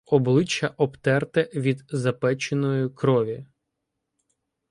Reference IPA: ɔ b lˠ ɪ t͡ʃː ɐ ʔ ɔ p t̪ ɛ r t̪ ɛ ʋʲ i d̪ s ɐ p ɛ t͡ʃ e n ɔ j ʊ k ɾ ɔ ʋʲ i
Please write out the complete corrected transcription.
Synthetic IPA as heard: ɔ b lˠ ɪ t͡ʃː ɐ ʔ ɔ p t̪ ɛ r t̪ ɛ ʋʲ i d̪ z ɐ p ɛ t͡ʃ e n ɔ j ʊ k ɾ ɔ ʋʲ i

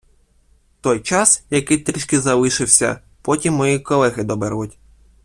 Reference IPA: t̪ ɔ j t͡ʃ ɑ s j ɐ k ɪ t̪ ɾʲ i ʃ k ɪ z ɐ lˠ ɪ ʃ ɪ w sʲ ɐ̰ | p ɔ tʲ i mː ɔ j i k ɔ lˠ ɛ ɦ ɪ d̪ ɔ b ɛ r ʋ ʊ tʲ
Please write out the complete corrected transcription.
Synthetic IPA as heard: t̪ ɔ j t͡ʃ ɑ s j ɐ k ɪ t̪ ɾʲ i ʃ k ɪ z ɐ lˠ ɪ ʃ ɪ w sʲ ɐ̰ | p ɔ tʲ i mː ɔ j i k ɔ lˠ ɛ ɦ ɪ d̪ ɔ b ɛ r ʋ ʊ tʲ

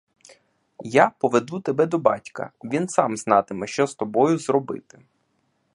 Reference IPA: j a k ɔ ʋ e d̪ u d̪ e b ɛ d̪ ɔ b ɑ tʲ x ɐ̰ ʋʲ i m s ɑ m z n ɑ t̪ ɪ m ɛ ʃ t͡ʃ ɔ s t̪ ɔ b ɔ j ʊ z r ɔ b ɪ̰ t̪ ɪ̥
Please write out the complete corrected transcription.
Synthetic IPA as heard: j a p ɔ ʋ e d̪ u t̪ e b ɛ d̪ ɔ b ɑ tʲ k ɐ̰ ʋʲ i n s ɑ m z n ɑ t̪ ɪ m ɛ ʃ t͡ʃ ɔ s t̪ ɔ b ɔ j ʊ z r ɔ b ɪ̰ t̪ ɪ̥

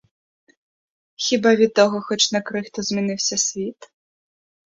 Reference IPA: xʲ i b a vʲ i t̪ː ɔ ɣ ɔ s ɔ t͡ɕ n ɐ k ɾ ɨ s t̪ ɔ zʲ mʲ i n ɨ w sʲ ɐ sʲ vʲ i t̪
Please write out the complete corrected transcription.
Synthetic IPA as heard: xʲ i b a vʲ i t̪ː ɔ ɣ ɔ x ɔ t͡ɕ n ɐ k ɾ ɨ x t̪ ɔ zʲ mʲ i n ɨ w sʲ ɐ sʲ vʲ i t̪

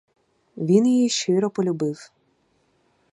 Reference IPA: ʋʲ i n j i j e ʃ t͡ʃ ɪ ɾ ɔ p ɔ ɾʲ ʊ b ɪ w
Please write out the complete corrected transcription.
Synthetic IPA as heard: ʋʲ i n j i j i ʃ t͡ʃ ɪ ɾ ɔ p ɔ lʲ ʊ b ɪ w

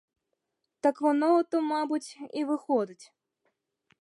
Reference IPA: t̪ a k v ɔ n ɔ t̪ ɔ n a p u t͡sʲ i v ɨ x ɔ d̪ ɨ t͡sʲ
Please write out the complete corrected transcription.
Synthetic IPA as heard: t̪ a k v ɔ n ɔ t̪ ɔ m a b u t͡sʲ i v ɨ x ɔ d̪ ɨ t͡sʲ

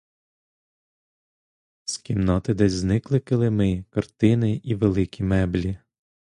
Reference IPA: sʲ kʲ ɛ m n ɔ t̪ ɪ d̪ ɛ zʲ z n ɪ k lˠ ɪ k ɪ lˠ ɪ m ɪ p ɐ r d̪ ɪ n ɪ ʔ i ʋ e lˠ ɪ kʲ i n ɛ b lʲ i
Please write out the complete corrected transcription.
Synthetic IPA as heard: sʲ kʲ i m n ɔ t̪ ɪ d̪ ɛ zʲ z n ɪ k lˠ ɪ k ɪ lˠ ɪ m ɪ k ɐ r t̪ ɪ n ɪ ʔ i ʋ e lˠ ɪ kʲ i m ɛ b lʲ i

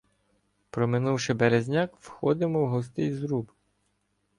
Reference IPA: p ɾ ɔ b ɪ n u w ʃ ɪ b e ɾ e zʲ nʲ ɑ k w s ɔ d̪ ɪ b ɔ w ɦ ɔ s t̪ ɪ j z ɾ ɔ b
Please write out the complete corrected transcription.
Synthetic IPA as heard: p ɾ ɔ m ɪ n u w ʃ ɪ b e ɾ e zʲ nʲ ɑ k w x ɔ d̪ ɪ m ɔ w ɦ ɔ s t̪ ɪ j z ɾ u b

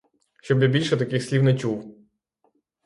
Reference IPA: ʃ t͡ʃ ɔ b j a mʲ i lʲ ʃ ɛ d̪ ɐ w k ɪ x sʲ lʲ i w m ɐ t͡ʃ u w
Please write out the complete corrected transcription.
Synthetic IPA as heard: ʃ t͡ʃ ɔ b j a bʲ i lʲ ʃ ɛ t̪ ɐ k ɪ x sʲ lʲ i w n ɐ t͡ʃ u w

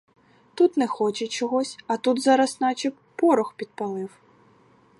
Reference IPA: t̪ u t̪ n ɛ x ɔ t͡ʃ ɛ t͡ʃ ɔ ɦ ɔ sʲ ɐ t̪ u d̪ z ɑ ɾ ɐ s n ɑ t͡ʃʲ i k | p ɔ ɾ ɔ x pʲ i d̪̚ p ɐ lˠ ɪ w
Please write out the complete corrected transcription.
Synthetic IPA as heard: t̪ u t̪ n ɛ x ɔ t͡ʃ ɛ t͡ʃ ɔ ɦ ɔ sʲ ɐ t̪ u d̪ z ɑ ɾ ɐ s n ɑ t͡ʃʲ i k | p ɔ ɾ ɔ x pʲ i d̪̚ p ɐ lˠ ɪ w

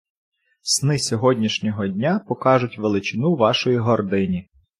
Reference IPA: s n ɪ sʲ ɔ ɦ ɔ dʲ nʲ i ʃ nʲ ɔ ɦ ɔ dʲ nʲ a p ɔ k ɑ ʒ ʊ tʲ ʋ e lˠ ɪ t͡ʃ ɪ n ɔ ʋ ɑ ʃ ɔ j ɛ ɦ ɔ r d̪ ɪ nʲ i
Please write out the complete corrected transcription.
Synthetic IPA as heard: s n ɪ sʲ ɔ ɦ ɔ dʲ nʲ i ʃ nʲ ɔ ɦ ɔ dʲ nʲ a p ɔ k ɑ ʒ ʊ tʲ ʋ e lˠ ɪ t͡ʃ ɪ n u ʋ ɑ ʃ ɔ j i ɦ ɔ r d̪ ɪ nʲ i

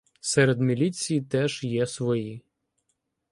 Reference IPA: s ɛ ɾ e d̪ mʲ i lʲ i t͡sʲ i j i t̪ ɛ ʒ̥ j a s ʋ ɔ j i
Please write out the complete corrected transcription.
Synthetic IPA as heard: s ɛ ɾ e d̪ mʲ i lʲ i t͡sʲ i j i t̪ ɛ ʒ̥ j ɛ s ʋ ɔ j i

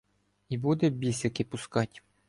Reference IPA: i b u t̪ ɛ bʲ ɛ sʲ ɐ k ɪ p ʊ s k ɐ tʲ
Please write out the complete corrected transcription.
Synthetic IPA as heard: i b u d̪ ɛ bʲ i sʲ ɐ k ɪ p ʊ s k ɑ tʲ

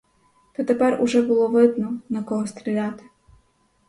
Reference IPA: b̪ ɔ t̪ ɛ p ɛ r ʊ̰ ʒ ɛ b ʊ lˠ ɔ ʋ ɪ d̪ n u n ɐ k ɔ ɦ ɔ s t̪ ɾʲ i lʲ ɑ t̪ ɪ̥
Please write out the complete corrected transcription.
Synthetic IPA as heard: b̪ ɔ t̪ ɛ p ɛ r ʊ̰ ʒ ɛ b ʊ lˠ ɔ ʋ ɪ d̪ n ɔ n ɐ k ɔ ɦ ɔ s t̪ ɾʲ i lʲ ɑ t̪ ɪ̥

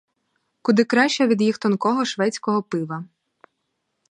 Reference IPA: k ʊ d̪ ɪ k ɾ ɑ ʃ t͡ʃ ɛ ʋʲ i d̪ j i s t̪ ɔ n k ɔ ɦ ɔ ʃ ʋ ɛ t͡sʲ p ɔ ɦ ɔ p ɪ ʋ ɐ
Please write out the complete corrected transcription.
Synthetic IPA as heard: k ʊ d̪ ɪ k ɾ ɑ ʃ t͡ʃ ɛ ʋʲ i d̪ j i x t̪ ɔ n k ɔ ɦ ɔ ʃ ʋ ɛ t͡sʲ k ɔ ɦ ɔ p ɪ ʋ ɐ

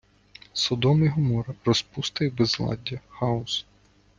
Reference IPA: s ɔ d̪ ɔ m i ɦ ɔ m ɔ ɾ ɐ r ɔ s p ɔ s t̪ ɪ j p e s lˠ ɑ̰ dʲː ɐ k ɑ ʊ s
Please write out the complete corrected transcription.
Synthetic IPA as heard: s ɔ d̪ ɔ m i ɦ ɔ m ɔ ɾ ɐ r ɔ s p u s t̪ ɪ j b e z lˠ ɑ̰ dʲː ɐ x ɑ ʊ s

